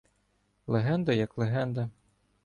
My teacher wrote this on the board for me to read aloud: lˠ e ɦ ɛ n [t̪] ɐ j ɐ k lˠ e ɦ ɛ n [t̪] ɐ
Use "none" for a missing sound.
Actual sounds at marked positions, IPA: d̪, d̪

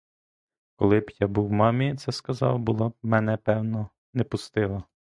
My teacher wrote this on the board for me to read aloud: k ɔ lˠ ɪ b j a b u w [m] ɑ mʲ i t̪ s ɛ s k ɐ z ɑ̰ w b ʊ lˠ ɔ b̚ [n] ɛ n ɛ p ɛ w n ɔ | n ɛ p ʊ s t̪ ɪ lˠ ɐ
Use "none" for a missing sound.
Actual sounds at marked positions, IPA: m, m

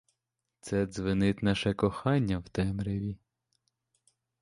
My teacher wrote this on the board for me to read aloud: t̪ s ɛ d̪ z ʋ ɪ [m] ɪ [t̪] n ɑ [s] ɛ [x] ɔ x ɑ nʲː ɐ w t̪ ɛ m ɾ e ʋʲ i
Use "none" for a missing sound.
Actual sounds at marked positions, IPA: n, t̪, ʃ, k

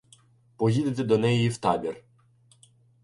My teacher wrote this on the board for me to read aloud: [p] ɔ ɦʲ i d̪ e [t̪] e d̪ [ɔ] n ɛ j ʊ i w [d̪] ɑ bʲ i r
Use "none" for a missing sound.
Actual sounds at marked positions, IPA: p, t̪, ɔ, t̪

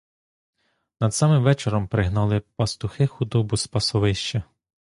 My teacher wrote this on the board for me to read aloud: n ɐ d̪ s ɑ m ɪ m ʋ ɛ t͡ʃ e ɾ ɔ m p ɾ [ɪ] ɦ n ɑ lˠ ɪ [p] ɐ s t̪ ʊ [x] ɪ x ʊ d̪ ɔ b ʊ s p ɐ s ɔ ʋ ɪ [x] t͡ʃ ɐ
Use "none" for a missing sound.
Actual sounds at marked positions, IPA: ɪ, p, x, ʃ

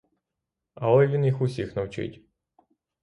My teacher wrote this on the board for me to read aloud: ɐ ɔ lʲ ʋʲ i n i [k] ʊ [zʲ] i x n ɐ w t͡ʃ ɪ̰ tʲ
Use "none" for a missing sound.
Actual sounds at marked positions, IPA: x, sʲ

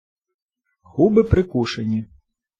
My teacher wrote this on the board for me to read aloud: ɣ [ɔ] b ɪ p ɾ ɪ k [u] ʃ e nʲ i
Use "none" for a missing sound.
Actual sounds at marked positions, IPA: u, u

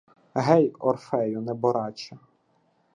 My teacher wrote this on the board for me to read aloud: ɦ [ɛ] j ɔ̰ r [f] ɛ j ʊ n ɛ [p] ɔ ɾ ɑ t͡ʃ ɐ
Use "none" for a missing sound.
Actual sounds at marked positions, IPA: ɛ, f, b

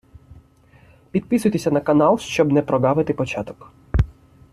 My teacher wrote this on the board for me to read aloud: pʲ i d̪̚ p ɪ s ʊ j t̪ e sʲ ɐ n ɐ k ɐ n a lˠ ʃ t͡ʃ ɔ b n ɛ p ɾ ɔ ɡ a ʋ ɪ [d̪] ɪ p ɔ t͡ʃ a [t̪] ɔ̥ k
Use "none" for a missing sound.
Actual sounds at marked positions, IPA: t̪, t̪

